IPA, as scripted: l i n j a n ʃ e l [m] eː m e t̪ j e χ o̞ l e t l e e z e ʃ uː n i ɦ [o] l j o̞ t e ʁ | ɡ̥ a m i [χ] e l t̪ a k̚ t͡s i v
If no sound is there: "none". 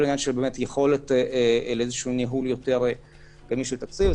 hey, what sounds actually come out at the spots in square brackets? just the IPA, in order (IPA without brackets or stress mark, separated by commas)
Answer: b, u, ʃ